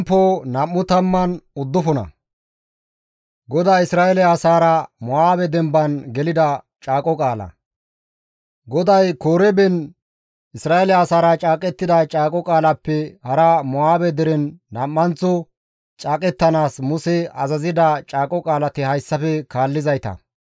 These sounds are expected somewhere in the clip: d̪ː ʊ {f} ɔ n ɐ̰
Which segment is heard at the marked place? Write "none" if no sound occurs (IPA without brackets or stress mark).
f